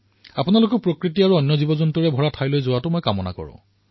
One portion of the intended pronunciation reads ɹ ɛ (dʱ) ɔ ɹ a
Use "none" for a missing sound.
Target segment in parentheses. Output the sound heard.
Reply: bʱ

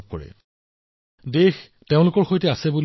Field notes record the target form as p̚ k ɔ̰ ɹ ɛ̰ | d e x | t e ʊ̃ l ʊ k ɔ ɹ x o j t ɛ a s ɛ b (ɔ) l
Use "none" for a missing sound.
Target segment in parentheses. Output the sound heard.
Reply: u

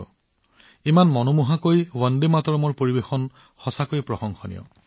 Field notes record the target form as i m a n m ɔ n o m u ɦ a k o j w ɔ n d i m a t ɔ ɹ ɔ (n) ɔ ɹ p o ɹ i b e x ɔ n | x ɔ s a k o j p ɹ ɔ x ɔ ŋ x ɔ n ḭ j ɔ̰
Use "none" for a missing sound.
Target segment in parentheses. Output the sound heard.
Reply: m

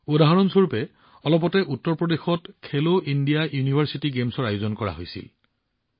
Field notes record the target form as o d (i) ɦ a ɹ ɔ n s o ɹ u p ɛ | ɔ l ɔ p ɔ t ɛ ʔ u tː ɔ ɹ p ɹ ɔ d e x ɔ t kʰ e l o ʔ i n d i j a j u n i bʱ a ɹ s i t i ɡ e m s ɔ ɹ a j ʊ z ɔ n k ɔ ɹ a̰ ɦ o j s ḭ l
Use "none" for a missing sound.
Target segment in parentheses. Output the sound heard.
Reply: a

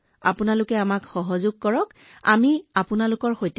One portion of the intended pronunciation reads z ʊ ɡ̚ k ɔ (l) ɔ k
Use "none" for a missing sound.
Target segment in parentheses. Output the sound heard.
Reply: ɹ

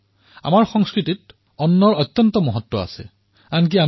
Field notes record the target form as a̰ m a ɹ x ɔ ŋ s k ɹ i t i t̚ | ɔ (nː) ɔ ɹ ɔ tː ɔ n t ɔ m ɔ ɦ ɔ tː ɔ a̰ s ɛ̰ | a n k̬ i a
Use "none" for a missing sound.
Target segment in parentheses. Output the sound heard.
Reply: nː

